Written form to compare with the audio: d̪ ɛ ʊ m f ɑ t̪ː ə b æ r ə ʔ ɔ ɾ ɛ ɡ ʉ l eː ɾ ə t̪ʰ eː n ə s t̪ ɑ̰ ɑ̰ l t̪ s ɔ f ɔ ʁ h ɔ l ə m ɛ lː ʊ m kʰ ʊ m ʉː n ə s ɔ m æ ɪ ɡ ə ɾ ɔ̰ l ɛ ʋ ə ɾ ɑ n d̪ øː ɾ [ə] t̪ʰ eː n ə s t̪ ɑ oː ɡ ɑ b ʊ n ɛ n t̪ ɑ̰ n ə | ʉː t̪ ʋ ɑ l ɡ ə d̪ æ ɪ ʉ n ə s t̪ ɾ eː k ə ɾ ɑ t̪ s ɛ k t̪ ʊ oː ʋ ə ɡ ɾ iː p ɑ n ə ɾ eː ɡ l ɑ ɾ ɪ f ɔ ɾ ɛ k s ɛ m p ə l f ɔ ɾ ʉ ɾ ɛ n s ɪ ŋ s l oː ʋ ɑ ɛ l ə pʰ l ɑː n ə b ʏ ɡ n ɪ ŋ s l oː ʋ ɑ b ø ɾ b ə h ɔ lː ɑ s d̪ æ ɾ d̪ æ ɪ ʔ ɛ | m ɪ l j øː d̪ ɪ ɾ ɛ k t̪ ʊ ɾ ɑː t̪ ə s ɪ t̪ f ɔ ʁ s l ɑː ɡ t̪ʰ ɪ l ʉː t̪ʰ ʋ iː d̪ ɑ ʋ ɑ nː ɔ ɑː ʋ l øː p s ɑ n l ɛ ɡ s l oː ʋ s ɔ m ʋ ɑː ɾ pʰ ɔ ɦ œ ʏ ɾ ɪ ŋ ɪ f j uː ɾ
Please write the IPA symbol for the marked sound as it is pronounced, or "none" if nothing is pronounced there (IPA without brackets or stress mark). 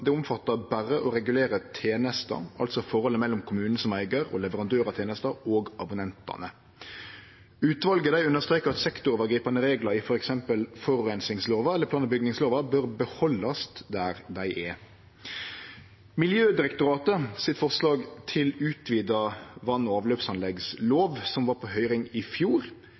ɑ